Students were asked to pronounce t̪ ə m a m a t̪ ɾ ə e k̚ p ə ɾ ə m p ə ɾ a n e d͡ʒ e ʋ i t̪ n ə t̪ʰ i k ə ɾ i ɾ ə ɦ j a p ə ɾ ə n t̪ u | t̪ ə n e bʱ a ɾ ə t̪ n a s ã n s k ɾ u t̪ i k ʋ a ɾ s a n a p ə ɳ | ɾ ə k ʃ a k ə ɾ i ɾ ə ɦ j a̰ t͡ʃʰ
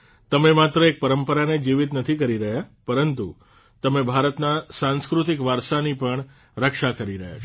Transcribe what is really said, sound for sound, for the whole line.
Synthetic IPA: t̪ ə m e m a t̪ ɾ ə e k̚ p ə ɾ ə m p ə ɾ a n e d͡ʒ i ʋ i t̪ n ə t̪ʰ i k ə ɾ i ɾ ə ɦ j a p ə ɾ ə n t̪ u | t̪ ə m e bʱ a ɾ ə t̪ n a s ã n s k ɾ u t̪ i k ʋ a ɾ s a n i p ə ɳ | ɾ ə k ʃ a k ə ɾ i ɾ ə ɦ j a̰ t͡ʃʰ